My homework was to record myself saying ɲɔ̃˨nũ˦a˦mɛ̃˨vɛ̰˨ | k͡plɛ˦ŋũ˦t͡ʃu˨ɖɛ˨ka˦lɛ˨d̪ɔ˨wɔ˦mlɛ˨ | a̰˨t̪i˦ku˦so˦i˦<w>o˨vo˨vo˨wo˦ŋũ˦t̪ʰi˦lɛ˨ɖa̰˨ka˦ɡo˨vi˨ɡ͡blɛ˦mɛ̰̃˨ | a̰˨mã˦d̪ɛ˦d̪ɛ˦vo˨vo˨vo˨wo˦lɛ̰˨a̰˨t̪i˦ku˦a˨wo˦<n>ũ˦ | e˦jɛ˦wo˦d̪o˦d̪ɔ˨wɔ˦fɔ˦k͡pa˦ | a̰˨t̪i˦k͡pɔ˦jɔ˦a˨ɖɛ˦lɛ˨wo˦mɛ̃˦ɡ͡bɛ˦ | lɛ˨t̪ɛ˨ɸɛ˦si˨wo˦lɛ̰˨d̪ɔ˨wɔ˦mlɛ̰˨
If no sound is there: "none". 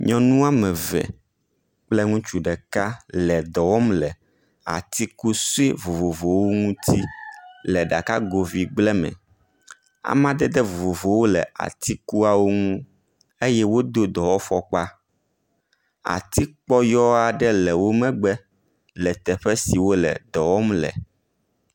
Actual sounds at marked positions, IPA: v, ŋ

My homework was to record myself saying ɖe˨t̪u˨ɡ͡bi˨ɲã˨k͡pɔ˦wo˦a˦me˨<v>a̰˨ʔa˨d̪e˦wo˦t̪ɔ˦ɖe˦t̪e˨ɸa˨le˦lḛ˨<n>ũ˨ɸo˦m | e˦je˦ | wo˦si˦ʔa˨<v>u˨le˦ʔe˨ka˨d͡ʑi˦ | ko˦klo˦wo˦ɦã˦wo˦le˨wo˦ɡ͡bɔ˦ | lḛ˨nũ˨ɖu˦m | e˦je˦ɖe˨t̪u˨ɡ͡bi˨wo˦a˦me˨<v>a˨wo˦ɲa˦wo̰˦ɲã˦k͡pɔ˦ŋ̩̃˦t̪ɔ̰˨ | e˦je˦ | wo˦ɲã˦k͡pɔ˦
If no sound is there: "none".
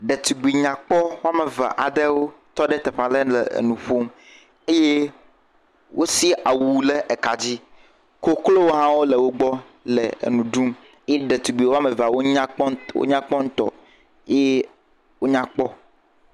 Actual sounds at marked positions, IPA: v, n, w, v

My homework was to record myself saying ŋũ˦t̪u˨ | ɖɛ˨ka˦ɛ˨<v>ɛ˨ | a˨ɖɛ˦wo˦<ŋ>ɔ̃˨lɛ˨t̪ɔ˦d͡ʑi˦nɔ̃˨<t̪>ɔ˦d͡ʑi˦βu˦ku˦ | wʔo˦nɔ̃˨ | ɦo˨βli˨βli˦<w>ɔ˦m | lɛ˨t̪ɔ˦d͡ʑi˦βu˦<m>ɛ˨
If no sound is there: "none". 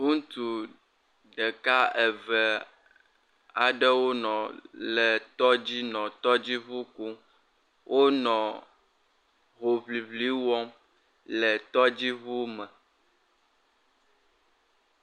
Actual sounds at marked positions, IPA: v, n, t̪, w, m

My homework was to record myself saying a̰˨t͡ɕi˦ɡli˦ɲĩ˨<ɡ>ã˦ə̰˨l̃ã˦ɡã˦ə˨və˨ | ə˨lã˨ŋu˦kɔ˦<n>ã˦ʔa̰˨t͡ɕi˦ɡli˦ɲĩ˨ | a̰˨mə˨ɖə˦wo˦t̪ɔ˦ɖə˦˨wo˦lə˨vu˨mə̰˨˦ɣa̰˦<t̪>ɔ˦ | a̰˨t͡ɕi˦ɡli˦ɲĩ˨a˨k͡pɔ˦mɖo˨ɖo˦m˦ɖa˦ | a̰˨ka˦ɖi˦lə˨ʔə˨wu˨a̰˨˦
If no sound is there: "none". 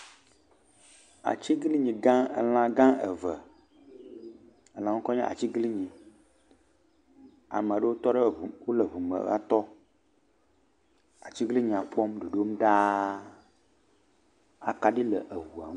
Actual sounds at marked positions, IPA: ɡ, ɲ, t̪

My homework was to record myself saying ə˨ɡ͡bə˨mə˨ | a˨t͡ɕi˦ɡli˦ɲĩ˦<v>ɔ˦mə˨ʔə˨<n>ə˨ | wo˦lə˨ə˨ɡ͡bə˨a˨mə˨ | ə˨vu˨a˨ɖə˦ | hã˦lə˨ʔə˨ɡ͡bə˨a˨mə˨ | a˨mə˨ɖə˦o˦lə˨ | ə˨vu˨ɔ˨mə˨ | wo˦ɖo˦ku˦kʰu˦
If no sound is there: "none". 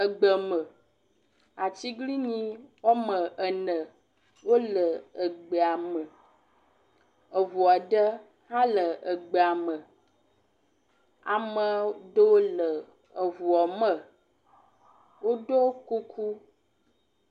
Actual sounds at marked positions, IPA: w, n

